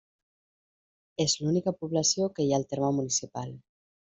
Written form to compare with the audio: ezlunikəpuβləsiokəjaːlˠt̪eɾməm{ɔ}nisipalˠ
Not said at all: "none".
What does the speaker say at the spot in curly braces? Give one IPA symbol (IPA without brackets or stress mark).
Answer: u